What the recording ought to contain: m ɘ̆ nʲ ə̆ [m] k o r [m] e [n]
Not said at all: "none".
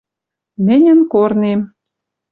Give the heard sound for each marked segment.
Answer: n, n, m

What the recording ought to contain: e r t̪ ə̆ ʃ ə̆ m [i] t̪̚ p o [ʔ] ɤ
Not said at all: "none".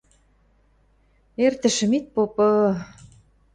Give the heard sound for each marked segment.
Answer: i, p

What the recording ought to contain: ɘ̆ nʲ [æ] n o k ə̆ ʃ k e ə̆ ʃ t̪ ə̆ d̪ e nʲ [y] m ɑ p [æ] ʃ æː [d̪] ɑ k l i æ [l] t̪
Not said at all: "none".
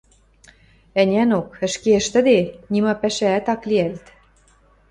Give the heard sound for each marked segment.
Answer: æ, i, æ, t̪, l

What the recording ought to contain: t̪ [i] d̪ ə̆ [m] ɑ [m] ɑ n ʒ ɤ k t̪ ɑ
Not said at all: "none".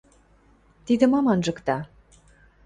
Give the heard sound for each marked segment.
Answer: i, m, m

